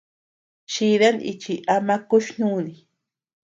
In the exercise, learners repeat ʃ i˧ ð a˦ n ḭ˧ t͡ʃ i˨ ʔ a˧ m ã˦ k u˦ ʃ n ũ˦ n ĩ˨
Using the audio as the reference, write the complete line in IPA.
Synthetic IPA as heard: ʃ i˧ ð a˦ n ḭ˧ t͡ʃ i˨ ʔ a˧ m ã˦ k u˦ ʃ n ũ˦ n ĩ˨

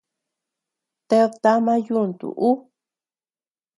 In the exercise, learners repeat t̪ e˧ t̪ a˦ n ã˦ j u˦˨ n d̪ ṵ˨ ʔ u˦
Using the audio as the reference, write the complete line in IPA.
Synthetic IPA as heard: t̪ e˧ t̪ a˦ m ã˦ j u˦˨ n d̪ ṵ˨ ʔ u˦

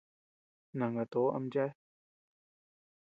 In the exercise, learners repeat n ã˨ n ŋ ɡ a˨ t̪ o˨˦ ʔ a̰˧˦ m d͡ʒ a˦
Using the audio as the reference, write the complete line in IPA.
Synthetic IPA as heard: n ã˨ ŋ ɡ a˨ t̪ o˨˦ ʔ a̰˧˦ m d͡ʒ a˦

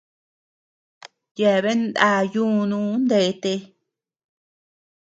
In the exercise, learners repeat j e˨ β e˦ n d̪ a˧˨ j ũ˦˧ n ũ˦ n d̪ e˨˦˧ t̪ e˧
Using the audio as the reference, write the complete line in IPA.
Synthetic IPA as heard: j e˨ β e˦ n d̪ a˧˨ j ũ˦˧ n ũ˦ n d̪ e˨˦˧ t̪ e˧

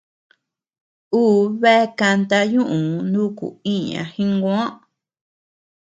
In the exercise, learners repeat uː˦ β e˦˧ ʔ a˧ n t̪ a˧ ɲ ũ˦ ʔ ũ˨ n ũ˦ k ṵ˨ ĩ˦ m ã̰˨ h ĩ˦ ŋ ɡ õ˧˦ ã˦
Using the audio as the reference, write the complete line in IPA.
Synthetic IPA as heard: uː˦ β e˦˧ k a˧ n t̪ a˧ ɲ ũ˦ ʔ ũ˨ n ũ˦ k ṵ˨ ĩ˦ ɲ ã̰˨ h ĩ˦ ŋ ɡ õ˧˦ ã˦

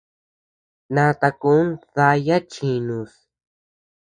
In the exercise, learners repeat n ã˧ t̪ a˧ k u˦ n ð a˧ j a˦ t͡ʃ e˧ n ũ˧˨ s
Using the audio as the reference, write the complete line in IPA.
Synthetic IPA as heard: n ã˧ t̪ a˧ k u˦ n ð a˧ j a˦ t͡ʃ i˧ n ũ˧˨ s

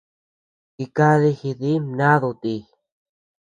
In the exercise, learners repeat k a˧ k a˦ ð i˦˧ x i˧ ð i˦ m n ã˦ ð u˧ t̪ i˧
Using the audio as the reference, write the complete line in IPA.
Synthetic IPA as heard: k i˧ k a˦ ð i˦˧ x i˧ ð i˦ m n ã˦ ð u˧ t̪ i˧

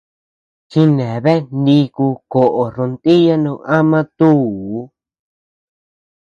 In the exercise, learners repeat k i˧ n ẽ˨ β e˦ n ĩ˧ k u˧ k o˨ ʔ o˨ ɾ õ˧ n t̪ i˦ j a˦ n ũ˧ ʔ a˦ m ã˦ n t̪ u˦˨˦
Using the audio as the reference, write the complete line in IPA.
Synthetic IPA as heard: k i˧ n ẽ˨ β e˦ n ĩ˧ k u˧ k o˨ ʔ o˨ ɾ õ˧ n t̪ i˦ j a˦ n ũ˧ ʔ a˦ m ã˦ t̪ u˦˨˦

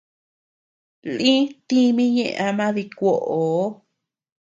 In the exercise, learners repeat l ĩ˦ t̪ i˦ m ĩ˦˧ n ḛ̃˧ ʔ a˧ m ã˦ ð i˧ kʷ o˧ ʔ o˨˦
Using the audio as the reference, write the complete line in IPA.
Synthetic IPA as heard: l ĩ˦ t̪ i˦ m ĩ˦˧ ɲ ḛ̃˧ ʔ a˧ m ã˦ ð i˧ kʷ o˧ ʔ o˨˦

